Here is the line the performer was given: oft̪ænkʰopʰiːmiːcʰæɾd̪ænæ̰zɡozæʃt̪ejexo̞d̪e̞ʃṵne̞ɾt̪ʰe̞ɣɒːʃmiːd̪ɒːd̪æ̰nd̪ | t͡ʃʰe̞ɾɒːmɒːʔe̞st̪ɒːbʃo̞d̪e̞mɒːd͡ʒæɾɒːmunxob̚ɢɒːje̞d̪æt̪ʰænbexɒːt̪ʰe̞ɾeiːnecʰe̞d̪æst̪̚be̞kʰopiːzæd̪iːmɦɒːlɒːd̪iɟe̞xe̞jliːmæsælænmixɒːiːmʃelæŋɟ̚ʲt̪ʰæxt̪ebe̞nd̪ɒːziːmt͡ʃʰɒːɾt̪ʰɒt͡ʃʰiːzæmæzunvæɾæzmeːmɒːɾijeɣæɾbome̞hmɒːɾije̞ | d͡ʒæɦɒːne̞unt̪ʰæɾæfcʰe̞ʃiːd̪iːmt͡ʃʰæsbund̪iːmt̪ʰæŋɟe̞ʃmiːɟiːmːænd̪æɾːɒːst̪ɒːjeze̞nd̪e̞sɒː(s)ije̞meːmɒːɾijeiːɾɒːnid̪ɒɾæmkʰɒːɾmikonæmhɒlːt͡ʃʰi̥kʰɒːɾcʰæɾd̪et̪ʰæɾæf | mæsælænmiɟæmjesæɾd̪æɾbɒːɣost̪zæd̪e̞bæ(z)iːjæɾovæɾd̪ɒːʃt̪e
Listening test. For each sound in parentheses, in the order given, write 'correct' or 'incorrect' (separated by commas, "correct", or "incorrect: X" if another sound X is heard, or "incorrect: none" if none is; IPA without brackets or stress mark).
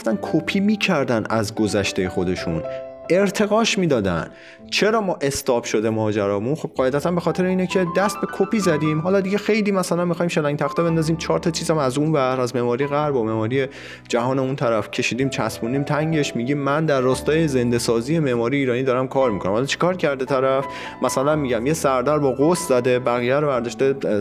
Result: incorrect: z, incorrect: ɣ